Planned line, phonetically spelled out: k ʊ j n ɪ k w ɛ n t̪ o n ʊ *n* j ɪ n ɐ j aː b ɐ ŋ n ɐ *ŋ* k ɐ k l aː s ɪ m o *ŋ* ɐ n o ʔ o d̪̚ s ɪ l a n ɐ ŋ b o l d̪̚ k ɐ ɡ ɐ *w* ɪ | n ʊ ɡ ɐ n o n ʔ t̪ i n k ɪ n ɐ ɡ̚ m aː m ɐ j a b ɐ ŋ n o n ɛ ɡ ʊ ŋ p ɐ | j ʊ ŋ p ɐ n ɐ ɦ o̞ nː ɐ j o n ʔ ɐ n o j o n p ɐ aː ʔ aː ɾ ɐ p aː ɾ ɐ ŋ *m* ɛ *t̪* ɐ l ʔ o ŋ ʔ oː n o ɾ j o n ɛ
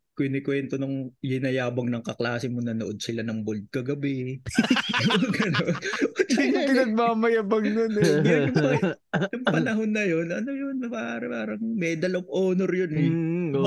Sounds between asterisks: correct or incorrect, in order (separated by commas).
incorrect, correct, incorrect, incorrect, correct, incorrect